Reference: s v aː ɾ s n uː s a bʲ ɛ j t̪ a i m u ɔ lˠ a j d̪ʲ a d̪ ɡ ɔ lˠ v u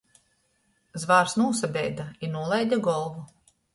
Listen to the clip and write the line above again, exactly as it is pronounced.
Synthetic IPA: z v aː ɾ s n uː s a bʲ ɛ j d̪ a i n u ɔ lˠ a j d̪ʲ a ɡ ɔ lˠ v u